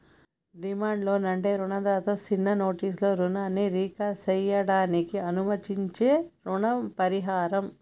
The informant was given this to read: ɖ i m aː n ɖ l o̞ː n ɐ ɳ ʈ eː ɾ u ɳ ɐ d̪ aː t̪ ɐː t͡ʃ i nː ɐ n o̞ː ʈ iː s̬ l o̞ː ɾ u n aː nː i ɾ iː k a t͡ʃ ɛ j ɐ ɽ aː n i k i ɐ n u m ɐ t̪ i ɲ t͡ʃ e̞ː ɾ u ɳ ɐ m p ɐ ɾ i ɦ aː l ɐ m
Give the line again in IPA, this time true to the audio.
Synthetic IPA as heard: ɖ i m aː ɳ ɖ l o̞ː n ɐ ɳ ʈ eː ɾ u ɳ ɐ d̪ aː t̪ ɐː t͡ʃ i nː ɐ n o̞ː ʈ iː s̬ l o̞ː ɾ u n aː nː i ɾ iː k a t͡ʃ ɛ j ɐ ɽ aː n i k i ɐ n u m ɐ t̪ i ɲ t͡ʃ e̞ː ɾ u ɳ ɐ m p ɐ ɾ i ɦ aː ɾ ɐ m